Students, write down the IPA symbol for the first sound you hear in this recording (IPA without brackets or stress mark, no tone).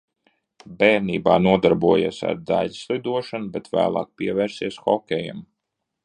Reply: b